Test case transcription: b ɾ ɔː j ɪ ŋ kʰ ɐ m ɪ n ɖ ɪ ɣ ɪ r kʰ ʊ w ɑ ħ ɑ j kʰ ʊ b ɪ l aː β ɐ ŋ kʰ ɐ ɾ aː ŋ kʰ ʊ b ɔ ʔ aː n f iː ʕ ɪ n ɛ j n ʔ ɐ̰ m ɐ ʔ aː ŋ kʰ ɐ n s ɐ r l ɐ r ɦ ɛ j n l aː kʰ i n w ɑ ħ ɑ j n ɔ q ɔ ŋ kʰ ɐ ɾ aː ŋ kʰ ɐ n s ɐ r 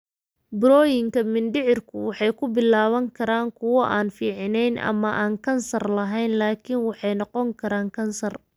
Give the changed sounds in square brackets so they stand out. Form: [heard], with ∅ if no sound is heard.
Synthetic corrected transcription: b ɾ ɔː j ɪ ŋ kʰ ɐ m ɪ n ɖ ɪ [ʕ] ɪ r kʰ ʊ w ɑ ħ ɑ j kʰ ʊ b ɪ l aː β ɐ ŋ kʰ ɐ ɾ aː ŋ kʰ ʊ [w] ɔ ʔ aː n f iː ʕ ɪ n ɛ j n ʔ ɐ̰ m ɐ ʔ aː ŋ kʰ ɐ n s ɐ r l ɐ [∅] ɦ ɛ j n l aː kʰ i n w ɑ ħ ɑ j n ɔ q ɔ ŋ kʰ ɐ ɾ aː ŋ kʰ ɐ n s ɐ r